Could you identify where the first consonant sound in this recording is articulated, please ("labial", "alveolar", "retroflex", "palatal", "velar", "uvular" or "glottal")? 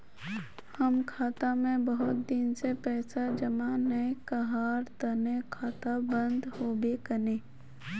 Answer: glottal